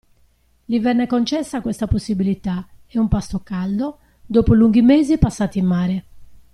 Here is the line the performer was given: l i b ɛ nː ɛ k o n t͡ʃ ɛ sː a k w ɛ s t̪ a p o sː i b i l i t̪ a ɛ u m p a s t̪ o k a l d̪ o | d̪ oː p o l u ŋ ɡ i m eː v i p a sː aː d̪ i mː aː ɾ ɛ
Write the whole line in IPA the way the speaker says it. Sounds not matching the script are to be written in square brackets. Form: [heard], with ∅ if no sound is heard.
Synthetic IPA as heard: l i [v] ɛ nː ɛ k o n t͡ʃ ɛ sː a k w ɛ s t̪ a p o sː i b i l i t̪ a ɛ u m p a s t̪ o k a l d̪ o | d̪ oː p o l u ŋ ɡ i m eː [z] i p a sː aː [t̪] i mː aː ɾ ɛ